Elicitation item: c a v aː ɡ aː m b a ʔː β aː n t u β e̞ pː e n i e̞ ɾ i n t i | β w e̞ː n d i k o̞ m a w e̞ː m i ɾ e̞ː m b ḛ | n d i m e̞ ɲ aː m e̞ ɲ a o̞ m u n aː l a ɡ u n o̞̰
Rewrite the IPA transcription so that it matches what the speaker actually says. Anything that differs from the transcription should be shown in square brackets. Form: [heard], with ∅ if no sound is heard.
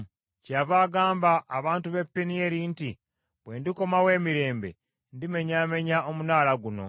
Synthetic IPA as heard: c a v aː ɡ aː m b a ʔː β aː n t u β e̞ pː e n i e̞ ɾ i n t i | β w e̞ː n d i k o̞ m a w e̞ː m i ɾ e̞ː m b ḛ | n d i m e̞ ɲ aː m e̞ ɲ a o̞ m u n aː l a ɡ u n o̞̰